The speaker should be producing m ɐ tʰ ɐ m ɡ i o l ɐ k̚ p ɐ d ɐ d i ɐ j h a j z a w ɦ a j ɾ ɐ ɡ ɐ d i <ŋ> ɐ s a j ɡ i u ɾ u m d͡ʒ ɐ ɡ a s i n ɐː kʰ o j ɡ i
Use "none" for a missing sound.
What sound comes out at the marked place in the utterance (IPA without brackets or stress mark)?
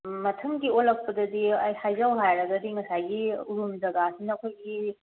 ŋ